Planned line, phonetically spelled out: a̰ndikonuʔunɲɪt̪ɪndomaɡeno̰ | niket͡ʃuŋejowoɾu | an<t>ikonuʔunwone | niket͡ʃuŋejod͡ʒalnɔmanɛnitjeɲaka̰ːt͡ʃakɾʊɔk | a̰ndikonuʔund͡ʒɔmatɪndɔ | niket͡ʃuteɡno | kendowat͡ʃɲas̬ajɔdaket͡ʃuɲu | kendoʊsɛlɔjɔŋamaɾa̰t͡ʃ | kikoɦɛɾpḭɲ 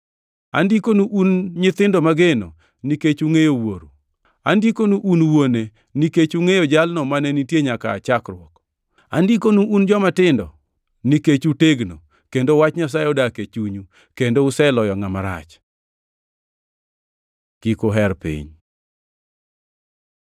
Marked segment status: incorrect: d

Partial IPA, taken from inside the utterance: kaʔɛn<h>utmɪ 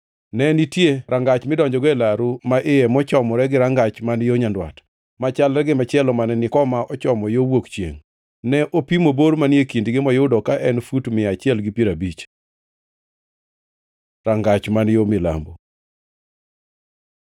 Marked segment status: incorrect: f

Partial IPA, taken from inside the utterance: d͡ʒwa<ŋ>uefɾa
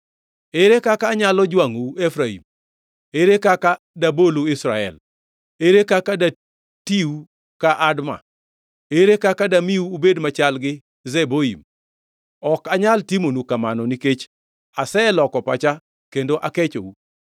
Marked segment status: correct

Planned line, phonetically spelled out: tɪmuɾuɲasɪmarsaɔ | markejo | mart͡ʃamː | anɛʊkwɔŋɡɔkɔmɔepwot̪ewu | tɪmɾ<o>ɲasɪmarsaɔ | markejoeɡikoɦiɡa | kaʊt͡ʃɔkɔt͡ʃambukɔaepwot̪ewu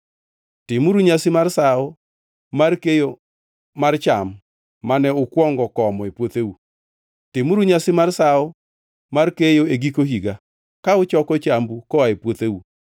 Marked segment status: incorrect: u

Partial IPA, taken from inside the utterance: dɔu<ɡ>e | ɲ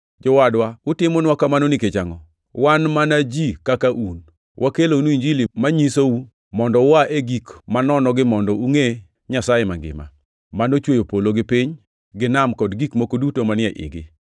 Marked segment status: incorrect: ŋ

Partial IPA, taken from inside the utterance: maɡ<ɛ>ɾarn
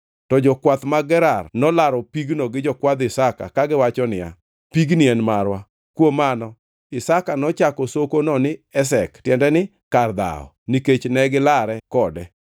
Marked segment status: correct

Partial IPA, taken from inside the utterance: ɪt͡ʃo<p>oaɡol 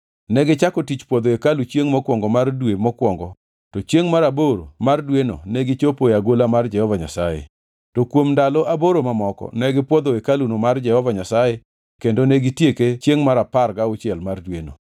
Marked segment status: correct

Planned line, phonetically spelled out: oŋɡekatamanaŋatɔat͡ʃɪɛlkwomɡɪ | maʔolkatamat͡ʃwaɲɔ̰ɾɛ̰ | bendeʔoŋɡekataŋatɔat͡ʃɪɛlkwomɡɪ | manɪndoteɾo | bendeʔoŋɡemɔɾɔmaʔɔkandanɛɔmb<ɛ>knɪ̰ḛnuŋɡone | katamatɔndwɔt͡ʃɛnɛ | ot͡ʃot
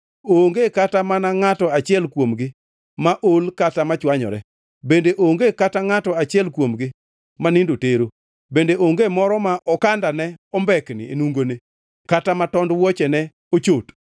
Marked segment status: correct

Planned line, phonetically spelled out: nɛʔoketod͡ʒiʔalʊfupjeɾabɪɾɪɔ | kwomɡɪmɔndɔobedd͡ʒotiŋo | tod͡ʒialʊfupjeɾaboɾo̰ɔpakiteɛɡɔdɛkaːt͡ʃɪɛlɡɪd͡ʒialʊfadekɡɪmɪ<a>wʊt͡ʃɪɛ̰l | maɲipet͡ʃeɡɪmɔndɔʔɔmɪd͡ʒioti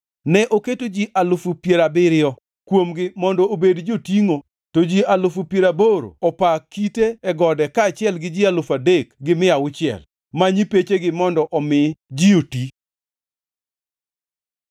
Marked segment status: correct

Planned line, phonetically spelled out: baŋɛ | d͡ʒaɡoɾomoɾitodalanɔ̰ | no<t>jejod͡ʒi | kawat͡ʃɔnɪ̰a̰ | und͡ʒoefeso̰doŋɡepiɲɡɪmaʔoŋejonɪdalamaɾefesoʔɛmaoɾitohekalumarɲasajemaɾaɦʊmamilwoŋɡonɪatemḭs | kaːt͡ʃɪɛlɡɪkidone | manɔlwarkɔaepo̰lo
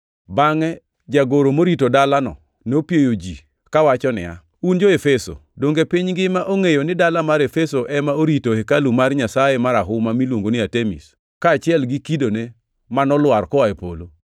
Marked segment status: incorrect: p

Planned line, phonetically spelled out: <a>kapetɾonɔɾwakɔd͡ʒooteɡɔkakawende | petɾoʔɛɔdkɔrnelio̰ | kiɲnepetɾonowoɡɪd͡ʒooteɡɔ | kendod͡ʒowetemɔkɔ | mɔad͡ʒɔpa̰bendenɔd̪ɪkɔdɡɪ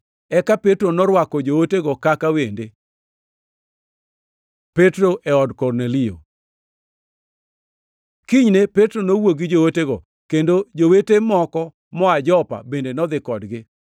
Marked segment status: incorrect: ɛ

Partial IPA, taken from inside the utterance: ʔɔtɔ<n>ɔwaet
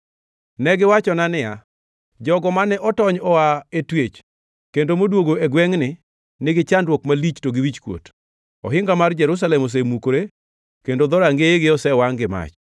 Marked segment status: incorrect: ɲ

